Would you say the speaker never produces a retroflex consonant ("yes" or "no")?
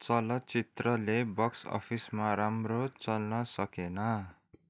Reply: yes